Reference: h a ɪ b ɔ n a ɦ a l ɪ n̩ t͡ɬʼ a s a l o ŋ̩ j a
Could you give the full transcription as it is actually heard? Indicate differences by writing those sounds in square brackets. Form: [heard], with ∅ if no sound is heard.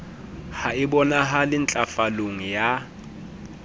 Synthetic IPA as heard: h a ɪ b ɔ n a ɦ a l ɪ n̩ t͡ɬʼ a [f] a l o ŋ̩ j a